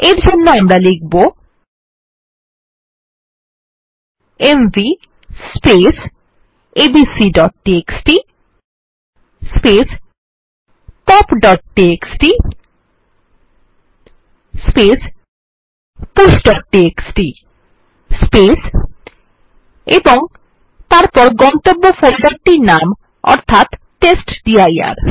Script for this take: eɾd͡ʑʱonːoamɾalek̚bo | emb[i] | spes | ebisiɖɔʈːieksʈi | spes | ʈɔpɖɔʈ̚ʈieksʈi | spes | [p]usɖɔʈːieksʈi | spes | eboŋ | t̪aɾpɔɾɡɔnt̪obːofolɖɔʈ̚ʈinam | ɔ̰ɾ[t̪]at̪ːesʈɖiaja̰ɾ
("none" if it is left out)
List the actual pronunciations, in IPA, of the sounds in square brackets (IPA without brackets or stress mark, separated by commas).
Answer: i, p, t̪ʰ